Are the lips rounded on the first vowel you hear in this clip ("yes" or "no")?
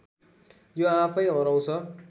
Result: yes